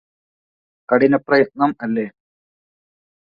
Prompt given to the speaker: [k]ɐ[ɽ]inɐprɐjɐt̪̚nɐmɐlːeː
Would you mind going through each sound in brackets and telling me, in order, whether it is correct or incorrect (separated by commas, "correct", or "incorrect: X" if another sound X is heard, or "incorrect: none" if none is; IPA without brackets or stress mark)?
correct, correct